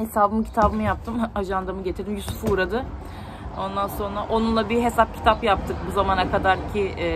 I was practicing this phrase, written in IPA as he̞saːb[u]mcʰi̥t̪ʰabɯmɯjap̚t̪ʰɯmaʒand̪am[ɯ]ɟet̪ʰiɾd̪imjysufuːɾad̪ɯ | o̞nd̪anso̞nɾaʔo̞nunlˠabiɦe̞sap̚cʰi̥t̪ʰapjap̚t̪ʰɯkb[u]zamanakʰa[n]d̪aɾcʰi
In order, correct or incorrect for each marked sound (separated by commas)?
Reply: incorrect, correct, correct, incorrect